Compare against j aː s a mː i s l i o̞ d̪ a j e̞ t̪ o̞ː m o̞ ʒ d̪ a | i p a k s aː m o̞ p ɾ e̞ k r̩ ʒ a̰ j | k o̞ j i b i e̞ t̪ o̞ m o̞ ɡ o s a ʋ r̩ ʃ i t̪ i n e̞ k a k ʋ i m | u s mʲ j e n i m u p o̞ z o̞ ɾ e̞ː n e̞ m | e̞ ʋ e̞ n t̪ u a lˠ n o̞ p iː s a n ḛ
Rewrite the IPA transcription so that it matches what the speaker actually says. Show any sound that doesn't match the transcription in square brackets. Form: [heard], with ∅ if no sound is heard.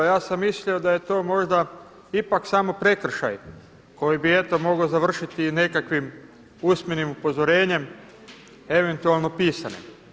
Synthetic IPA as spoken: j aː s a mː i s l i o̞ d̪ a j e̞ t̪ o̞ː m o̞ ʒ d̪ a | i p a k s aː m o̞ p ɾ e̞ k r̩ [ʃ] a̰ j | k o̞ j i b i e̞ t̪ o̞ m o̞ ɡ o [z] a ʋ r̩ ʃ i t̪ i n e̞ k a k ʋ i m | u s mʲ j e n i m u p o̞ z o̞ ɾ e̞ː [ɲ] e̞ m | e̞ ʋ e̞ n t̪ u a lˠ n o̞ p iː s a n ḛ